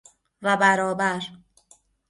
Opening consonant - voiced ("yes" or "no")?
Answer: yes